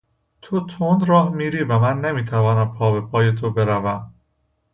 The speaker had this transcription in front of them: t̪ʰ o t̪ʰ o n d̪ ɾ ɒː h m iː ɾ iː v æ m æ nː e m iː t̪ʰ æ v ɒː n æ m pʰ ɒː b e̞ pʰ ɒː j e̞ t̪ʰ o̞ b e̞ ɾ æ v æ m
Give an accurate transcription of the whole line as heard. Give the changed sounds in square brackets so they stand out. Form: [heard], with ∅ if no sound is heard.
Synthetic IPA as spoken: t̪ʰ o t̪ʰ o n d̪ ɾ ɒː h m iː ɾ iː v æ m æ nː e m iː t̪ʰ æ v ɒː n æ m pʰ ɒː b e̞ pʰ ɒː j e̞ t̪ʰ o̞ b e̞ ɾ æ v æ m